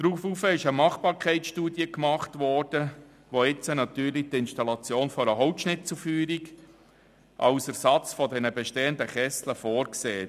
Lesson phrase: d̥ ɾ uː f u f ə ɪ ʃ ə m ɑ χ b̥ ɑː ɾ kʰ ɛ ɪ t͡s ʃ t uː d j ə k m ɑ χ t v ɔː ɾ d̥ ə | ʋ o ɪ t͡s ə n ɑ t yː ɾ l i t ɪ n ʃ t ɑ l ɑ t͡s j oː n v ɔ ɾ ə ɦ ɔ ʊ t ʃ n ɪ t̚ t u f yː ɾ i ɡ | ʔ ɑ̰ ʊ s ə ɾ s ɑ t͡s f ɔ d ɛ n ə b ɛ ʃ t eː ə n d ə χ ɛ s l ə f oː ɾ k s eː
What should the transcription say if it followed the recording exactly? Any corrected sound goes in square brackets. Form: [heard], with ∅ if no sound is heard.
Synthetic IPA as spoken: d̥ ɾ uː f u f ə ɪ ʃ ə m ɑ χ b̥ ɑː ɾ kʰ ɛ ɪ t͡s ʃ t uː d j ə k m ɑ χ t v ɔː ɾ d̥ ə | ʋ o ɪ t͡s ə n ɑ t yː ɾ l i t ɪ n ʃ t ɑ l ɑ t͡s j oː n [f] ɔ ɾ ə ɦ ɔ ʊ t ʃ n ɪ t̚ [t͡s] u f yː ɾ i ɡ | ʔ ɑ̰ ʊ s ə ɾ s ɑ t͡s f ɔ d ɛ n ə b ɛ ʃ t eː ə n d ə χ ɛ s l ə f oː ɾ k s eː